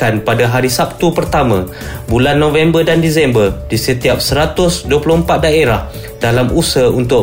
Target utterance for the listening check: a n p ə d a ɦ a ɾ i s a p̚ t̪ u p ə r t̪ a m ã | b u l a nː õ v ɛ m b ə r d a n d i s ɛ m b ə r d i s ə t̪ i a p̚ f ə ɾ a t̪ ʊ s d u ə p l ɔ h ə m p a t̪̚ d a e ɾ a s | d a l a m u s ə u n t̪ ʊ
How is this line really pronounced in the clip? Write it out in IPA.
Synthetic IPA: a n p a d a ɦ a ɾ i s a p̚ t̪ u p ə r t̪ a m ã | b u l a nː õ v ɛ m b ə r d a n d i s ɛ m b ə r d i s ə t̪ i a p̚ s ə ɾ a t̪ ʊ s d u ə p l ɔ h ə m p a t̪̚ d a e ɾ a h | d a l a m u s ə u n t̪ ʊ